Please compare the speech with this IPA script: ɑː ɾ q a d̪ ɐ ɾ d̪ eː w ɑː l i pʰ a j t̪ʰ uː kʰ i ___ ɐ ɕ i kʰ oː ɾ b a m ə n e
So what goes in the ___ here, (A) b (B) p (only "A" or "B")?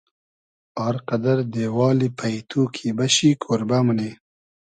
A